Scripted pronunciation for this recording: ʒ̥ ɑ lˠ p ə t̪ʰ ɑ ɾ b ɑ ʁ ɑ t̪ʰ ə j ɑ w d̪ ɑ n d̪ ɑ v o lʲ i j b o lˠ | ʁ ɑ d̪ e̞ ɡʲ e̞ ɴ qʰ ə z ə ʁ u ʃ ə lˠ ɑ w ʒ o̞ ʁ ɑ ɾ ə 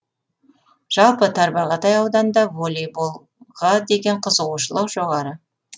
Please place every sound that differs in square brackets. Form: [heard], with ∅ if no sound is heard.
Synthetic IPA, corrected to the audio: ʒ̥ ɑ lˠ p ə t̪ʰ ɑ ɾ b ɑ ʁ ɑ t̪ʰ [ɑ] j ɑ w d̪ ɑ n d̪ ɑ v o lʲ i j b o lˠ | ʁ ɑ d̪ e̞ ɡʲ e̞ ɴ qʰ ə z ə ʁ u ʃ ə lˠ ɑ w ʒ o̞ ʁ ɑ ɾ ə